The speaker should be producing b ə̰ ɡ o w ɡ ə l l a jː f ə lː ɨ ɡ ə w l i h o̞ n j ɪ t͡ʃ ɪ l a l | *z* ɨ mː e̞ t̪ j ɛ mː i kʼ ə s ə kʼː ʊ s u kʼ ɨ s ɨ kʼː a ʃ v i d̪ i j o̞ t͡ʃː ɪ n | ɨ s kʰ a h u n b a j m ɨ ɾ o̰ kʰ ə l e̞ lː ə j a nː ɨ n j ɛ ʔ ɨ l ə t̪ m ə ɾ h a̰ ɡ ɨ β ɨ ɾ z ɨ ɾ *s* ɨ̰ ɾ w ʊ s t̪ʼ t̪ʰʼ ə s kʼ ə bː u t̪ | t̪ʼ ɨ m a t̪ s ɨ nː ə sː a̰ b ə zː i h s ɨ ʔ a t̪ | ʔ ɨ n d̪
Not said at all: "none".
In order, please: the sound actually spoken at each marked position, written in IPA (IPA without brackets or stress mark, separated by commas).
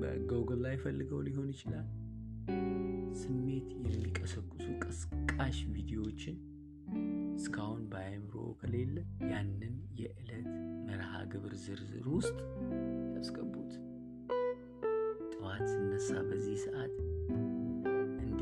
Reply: s, z